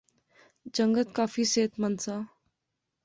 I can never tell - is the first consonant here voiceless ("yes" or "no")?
no